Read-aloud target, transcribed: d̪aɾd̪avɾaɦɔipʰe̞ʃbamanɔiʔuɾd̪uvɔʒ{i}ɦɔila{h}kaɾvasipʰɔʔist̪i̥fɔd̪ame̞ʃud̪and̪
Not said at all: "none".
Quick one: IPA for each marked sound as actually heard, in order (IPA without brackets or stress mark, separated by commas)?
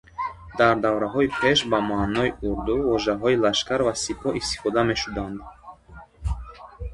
a, ʃ